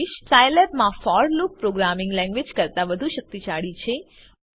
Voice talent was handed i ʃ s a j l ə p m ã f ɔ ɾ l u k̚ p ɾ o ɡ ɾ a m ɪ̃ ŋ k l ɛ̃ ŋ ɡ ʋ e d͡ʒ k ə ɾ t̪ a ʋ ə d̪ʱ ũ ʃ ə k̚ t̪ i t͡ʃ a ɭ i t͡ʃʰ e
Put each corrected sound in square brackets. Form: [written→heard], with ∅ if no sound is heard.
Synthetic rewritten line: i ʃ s a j l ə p m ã f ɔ ɾ l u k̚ p ɾ o ɡ ɾ a m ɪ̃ ŋ [k→ɡ] l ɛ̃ ŋ ɡ ʋ e d͡ʒ k ə ɾ t̪ a ʋ ə d̪ʱ [ũ→u] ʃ ə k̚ t̪ i t͡ʃ a ɭ i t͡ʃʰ e

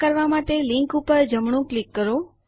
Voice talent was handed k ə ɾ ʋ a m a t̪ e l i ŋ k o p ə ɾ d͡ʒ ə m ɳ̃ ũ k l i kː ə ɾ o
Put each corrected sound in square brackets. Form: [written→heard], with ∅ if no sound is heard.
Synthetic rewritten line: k ə ɾ ʋ a m a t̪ e l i ŋ k [o→u] p ə ɾ d͡ʒ ə m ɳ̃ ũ k l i kː ə ɾ o

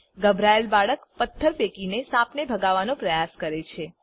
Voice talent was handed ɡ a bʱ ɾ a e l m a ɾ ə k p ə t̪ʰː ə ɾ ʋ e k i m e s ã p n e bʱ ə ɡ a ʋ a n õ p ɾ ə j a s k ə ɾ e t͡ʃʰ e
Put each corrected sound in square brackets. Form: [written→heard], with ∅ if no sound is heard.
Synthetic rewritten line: ɡ [a→ə] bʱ ɾ a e l [m→b] a [ɾ→ɭ] ə k p ə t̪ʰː ə ɾ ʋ e k i [m→n] e s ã p n e bʱ ə ɡ a ʋ a n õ p ɾ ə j a s k ə ɾ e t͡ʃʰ e

